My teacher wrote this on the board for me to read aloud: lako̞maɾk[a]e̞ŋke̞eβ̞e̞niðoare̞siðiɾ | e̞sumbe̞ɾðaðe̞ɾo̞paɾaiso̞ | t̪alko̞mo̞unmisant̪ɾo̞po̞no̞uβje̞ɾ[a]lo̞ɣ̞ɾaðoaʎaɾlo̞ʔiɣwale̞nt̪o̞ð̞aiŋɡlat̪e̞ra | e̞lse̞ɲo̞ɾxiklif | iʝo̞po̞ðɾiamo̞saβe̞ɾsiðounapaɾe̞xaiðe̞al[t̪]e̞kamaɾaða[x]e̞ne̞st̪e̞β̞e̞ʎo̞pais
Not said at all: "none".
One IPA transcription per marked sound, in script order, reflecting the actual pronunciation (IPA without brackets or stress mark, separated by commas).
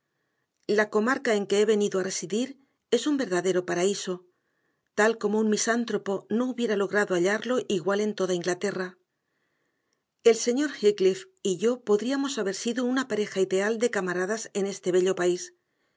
a, a, d̪, s